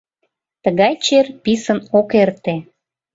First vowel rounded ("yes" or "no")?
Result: no